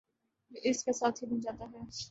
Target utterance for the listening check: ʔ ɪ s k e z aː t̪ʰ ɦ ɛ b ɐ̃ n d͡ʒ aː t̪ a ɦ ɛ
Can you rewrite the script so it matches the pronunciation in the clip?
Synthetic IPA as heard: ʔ ɪ s k e s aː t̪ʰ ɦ i b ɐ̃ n d͡ʒ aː t̪ a ɦ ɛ